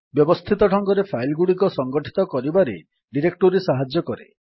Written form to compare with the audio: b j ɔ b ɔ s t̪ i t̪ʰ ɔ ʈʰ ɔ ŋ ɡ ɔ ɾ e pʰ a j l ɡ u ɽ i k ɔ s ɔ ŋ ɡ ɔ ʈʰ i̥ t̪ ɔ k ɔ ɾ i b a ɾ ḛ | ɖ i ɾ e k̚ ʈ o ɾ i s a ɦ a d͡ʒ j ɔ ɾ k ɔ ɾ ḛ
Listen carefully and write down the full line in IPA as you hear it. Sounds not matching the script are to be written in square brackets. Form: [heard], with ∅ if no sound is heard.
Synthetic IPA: b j ɔ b ɔ s [t̪ʰ] i [t̪] ɔ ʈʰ ɔ ŋ ɡ ɔ ɾ e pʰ a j l ɡ u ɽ i k ɔ s ɔ ŋ ɡ ɔ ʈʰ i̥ t̪ ɔ k ɔ ɾ i b a ɾ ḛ | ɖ i ɾ e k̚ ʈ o ɾ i s a ɦ a d͡ʒ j ɔ [∅] k ɔ ɾ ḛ